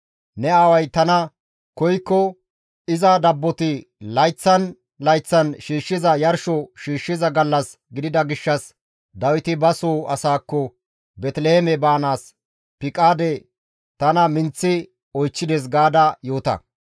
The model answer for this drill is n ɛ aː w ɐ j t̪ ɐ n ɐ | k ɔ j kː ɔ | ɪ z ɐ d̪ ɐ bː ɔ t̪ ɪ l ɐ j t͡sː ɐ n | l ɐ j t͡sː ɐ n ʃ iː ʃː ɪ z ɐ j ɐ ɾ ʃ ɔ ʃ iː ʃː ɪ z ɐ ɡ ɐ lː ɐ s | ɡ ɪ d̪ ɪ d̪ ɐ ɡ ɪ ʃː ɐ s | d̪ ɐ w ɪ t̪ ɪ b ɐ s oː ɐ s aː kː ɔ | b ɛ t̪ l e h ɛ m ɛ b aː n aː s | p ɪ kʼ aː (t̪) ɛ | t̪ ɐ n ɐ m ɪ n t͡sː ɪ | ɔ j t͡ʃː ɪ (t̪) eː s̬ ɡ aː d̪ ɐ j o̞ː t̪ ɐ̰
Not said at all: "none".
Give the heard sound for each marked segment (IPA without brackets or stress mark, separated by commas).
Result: d̪, d̪